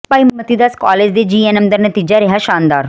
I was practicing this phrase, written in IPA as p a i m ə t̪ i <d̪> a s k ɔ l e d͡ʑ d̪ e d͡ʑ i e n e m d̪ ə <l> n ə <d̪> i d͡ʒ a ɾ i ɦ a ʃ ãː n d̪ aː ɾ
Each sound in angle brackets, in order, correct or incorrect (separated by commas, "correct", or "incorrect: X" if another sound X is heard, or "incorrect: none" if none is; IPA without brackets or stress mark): correct, incorrect: ɾ, incorrect: t̪